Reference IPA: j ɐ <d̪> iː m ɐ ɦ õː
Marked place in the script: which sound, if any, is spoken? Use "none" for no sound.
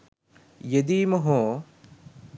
d̪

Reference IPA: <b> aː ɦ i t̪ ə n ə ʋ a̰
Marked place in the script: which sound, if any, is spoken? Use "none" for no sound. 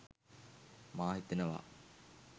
m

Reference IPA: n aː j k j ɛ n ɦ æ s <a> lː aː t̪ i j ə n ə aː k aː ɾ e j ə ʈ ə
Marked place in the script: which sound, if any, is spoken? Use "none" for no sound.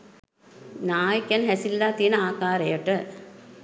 i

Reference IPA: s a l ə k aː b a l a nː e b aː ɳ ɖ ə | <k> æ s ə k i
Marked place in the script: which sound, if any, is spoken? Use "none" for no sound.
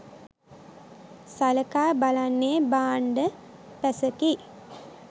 p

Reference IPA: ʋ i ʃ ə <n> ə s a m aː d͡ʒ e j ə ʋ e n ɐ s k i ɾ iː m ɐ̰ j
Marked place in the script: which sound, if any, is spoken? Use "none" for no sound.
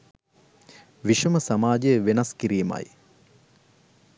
m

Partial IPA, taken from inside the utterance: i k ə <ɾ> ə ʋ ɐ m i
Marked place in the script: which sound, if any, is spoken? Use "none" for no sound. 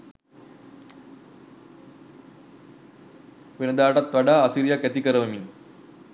ɾ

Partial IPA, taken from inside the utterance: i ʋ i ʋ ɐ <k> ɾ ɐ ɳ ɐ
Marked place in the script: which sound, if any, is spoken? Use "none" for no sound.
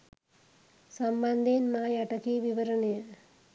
none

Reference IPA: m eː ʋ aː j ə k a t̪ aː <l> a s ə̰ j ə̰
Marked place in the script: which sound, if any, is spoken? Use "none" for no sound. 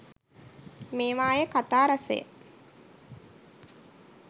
ɾ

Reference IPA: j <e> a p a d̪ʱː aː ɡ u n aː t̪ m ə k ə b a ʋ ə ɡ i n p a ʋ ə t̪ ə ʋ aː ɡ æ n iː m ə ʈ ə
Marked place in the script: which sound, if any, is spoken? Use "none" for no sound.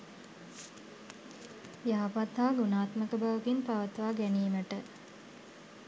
a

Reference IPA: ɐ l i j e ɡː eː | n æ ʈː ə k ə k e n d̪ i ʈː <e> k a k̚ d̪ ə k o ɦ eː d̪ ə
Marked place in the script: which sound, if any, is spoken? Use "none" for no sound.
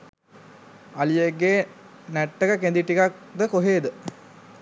i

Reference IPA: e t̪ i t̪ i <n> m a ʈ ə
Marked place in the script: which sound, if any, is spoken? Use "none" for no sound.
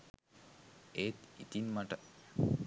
n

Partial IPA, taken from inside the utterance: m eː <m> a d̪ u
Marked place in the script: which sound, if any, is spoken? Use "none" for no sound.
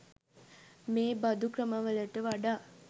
b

